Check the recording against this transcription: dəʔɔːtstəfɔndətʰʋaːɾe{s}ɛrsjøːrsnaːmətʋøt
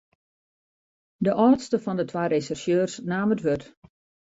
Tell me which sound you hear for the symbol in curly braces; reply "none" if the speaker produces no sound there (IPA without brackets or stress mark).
s